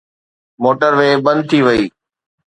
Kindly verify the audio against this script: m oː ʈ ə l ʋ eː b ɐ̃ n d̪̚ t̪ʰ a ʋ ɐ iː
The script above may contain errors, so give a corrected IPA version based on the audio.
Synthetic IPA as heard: m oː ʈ ə ɾ ʋ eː b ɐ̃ n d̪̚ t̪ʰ i ʋ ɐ iː